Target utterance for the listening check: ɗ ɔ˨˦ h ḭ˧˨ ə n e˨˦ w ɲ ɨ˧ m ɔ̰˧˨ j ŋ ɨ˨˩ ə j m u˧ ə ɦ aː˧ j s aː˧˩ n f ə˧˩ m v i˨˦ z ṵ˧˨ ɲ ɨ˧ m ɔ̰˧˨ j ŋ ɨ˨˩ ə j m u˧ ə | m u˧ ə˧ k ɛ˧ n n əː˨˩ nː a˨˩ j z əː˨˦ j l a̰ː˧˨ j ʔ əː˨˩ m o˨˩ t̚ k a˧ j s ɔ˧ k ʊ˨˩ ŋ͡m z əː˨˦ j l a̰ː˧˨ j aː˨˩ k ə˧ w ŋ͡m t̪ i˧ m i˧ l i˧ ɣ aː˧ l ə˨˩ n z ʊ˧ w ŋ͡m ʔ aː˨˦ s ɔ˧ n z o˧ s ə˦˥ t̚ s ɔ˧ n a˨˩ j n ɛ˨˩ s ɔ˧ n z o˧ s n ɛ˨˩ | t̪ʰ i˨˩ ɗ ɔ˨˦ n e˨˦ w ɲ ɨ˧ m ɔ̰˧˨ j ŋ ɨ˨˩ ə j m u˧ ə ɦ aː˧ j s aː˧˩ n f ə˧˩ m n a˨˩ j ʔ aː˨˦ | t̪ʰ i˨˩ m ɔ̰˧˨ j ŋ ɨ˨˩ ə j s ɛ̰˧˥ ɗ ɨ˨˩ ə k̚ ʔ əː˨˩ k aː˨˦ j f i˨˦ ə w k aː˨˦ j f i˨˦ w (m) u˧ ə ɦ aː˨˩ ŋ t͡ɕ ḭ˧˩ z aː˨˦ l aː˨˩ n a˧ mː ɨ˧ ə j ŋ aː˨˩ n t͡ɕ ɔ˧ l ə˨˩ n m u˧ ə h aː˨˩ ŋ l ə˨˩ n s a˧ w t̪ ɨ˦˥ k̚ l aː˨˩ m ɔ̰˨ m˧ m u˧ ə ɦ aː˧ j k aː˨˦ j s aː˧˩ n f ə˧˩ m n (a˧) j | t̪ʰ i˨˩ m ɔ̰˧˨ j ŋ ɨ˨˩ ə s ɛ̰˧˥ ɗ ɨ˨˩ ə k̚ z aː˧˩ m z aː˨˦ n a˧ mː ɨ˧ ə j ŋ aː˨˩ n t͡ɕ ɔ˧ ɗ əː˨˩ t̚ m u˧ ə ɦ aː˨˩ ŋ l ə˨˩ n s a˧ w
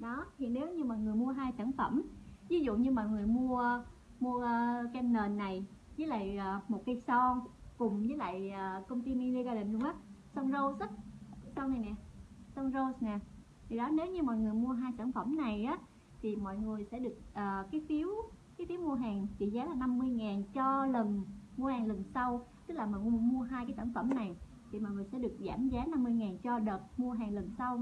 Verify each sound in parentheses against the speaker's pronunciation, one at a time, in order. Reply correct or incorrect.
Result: correct, incorrect: a˨˩

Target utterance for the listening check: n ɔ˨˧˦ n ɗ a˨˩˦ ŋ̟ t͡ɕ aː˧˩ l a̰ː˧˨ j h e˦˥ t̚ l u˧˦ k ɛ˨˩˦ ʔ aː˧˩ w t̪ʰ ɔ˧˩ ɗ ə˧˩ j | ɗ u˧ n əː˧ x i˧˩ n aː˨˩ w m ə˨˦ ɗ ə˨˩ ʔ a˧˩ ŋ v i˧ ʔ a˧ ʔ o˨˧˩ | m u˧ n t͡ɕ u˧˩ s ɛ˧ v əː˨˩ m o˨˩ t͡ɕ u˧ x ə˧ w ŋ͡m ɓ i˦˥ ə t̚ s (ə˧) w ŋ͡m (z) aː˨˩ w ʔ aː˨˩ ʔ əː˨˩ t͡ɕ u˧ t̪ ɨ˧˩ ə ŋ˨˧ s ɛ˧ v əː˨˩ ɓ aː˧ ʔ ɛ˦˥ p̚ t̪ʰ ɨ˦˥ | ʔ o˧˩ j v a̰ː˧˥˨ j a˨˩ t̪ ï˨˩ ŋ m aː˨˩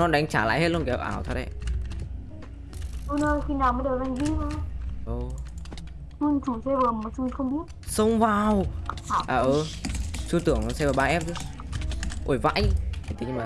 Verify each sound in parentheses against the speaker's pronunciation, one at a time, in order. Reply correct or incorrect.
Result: correct, incorrect: v

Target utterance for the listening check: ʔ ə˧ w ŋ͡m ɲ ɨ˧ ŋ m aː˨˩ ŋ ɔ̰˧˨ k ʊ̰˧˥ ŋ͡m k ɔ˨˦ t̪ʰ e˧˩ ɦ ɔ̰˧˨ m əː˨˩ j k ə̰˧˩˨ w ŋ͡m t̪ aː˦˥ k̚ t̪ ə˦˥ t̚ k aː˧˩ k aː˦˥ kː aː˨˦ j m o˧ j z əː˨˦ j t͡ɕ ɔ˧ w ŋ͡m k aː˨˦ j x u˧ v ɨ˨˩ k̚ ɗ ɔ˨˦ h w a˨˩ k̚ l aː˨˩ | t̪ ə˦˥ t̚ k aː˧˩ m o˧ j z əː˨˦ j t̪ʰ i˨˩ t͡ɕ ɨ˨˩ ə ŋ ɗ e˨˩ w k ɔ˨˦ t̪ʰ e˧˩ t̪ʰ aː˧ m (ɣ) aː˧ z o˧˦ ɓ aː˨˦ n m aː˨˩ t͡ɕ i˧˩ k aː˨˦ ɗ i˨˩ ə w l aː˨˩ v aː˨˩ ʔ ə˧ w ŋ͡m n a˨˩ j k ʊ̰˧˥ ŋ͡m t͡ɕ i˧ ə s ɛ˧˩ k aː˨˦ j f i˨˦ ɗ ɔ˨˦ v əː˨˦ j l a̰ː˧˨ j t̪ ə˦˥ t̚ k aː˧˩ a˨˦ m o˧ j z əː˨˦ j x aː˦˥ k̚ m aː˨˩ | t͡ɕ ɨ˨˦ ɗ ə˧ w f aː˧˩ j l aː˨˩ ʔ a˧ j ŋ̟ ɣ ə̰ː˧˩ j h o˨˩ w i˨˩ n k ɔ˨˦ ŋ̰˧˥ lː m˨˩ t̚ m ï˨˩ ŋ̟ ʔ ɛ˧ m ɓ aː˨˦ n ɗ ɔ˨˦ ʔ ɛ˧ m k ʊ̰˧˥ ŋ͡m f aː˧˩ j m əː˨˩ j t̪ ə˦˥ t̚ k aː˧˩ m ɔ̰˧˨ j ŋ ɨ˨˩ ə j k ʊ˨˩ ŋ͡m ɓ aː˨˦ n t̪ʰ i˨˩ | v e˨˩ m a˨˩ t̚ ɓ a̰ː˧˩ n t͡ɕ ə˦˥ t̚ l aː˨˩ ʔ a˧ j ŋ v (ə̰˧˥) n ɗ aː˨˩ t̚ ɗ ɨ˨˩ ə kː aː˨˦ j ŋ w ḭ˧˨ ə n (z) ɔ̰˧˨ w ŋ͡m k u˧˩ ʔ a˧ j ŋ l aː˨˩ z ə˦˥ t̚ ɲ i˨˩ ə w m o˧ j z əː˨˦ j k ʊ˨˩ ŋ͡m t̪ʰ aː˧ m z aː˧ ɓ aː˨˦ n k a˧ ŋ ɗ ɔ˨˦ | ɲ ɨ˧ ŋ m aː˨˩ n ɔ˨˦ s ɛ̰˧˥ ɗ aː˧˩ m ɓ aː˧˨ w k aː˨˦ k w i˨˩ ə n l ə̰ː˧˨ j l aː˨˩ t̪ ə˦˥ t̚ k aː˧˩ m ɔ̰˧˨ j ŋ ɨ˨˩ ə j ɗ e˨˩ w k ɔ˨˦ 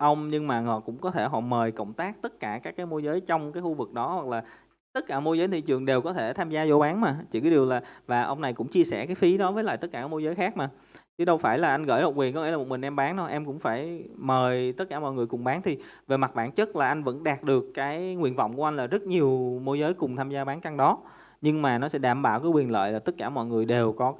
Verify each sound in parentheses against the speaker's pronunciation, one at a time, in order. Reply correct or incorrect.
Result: incorrect: z, correct, incorrect: v

